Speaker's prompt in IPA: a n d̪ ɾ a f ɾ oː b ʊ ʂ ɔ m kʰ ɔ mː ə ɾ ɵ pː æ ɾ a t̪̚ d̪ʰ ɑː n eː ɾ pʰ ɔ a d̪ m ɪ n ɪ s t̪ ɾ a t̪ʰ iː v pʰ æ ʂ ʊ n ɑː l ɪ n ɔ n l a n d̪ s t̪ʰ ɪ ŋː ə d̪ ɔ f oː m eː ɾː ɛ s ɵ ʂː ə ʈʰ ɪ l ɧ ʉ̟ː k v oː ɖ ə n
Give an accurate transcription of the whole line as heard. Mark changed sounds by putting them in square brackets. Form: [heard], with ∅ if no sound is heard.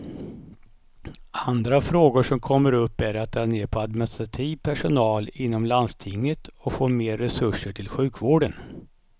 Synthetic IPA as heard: a n d̪ ɾ a f ɾ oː [ɡ] ʊ ʂ ɔ m kʰ ɔ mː ə ɾ ɵ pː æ ɾ a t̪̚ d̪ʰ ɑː n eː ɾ pʰ ɔ a d̪ m ɪ n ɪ s t̪ ɾ a t̪ʰ iː v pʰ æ ʂ ʊ n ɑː l ɪ [nː] ɔ [m] l a n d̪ s t̪ʰ ɪ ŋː ə [t̪] ɔ f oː m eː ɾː ɛ s ɵ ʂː ə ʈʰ ɪ l ɧ ʉ̟ː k v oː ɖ ə n